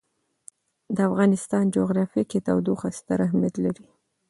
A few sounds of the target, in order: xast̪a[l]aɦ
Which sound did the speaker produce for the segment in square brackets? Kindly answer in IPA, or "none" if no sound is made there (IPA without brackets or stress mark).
ɾ